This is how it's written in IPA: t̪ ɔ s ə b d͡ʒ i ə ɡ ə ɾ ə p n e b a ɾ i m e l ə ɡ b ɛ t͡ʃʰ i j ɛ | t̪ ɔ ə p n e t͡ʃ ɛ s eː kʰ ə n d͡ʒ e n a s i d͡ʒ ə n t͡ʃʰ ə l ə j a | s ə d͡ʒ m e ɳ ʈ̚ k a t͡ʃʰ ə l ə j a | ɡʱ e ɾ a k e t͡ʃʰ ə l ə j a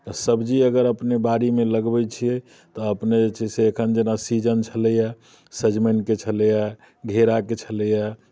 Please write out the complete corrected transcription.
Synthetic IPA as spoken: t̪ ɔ s ə b d͡ʒ i ə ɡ ə ɾ ə p n e b a ɾ i m e l ə ɡ b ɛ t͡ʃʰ i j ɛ | t̪ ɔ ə p n e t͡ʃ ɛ s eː kʰ ə n d͡ʒ e n a s i d͡ʒ ə n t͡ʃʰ ə l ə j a | s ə d͡ʒ m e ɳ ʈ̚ k e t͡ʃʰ ə l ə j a | ɡʱ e ɾ a k e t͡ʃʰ ə l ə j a